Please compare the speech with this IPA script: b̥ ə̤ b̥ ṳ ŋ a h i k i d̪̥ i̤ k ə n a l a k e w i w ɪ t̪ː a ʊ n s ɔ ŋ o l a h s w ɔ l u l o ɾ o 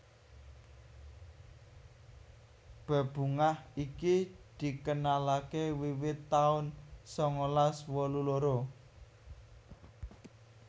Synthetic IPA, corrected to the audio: b̥ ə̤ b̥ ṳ ŋ a h i k i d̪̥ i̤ k ə n a l a k e w i w ɪ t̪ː a ʊ n s ɔ ŋ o l a s w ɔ l u l o ɾ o